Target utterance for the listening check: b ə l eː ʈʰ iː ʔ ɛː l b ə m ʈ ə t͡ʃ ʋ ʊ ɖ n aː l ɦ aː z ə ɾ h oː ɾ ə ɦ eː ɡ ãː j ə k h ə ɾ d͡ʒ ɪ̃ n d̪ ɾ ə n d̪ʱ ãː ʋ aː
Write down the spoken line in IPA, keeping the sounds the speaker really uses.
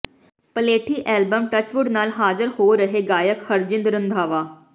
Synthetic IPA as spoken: p ə l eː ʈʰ iː ʔ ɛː l b ə m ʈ ə t͡ʃ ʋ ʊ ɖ n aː l ɦ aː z ə ɾ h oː ɾ ə ɦ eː ɡ aː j ə k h ə ɾ d͡ʒ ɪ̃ n d̪ ɾ ə n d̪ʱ aː ʋ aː